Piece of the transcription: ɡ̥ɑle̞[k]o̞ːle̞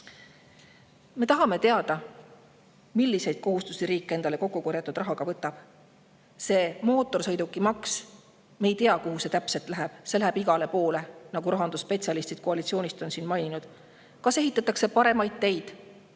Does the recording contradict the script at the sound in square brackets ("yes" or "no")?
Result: yes